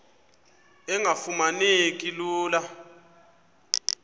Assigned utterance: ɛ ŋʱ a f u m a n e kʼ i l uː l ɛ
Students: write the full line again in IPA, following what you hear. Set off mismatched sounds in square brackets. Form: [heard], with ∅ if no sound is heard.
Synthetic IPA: ɛ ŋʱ a f u m a n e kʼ i l uː l [a]

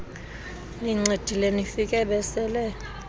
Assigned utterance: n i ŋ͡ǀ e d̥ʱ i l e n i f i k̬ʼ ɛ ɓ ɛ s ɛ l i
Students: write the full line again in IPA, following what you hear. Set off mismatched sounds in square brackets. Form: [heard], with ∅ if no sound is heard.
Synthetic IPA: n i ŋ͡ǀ e d̥ʱ i l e n i f i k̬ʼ ɛ ɓ ɛ s ɛ l [ɛ]

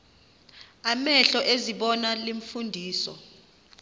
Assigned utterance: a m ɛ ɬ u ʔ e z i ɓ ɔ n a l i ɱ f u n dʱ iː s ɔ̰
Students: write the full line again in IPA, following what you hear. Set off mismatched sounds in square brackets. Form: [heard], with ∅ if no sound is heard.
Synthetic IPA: a m ɛ ɬ [ɔ] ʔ e z i ɓ ɔ n a l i ɱ f u n dʱ iː s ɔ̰

